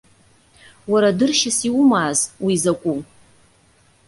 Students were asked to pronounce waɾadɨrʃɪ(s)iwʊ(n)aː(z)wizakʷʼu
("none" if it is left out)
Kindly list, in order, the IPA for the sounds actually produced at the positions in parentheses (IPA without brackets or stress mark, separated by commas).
s, m, z